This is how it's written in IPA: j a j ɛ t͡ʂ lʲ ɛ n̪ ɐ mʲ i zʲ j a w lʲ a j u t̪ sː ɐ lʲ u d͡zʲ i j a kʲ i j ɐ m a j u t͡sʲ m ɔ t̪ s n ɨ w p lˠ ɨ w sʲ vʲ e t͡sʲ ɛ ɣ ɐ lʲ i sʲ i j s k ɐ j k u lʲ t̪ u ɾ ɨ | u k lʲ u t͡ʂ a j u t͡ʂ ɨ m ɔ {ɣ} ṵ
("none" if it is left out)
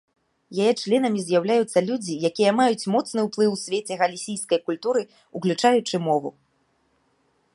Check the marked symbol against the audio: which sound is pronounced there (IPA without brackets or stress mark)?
v